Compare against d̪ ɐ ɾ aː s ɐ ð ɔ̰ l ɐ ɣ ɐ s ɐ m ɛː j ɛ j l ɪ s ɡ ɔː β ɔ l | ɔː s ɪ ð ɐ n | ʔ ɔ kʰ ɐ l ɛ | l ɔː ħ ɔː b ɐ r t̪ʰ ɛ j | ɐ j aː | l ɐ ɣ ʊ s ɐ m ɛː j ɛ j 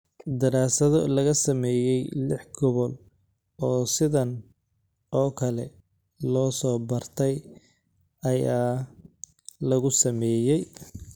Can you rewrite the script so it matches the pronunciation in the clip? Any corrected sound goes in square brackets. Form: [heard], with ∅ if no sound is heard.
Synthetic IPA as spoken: d̪ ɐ ɾ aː s ɐ ð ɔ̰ l ɐ ɣ ɐ s ɐ m ɛː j ɛ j l ɪ [ħ] ɡ [ɔ] β ɔ l | ɔː s ɪ ð ɐ n | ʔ [ɔː] kʰ ɐ l ɛ | l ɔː [s] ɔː b ɐ r t̪ʰ ɛ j | ɐ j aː | l ɐ ɣ ʊ s ɐ m ɛː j ɛ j